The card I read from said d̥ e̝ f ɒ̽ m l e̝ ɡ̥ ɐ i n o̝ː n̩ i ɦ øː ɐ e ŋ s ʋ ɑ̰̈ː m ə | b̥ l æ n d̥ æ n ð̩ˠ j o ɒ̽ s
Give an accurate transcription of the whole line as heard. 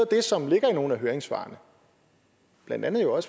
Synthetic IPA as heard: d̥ e̝ s ɒ̽ m l e̝ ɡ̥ ɐ i n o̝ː n̩ æ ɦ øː ɐ e ŋ s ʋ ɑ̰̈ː n ə | b̥ l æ n d̥ æ n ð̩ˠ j o ɒ̽ s

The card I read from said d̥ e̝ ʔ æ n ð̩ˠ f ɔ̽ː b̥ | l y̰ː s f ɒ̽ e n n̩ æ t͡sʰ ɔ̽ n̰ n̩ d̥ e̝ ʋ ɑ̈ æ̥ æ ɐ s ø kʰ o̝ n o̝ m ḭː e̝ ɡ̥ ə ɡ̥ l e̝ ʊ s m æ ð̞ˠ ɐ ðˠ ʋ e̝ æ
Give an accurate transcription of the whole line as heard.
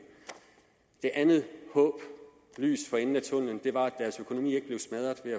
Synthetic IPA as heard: d̥ e̝ ʔ æ n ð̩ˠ h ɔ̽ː b̥ | l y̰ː s f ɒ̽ e n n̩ æ t͡sʰ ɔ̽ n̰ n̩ d̥ e̝ ʋ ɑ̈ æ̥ æ ɐ s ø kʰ o̝ n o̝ m ḭː e̝ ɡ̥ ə b̥ l e̝ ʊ s m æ ð̞ˠ ɐ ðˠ ʋ e̝ æ

